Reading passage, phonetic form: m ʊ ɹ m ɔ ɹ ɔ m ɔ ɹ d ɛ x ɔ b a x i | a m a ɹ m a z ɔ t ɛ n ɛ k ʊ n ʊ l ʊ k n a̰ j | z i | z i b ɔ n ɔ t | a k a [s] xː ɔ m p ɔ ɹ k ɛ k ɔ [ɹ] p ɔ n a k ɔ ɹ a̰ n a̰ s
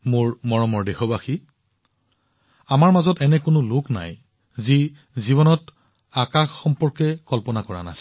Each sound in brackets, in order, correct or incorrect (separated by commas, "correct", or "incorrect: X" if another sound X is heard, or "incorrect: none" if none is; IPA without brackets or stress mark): incorrect: none, incorrect: l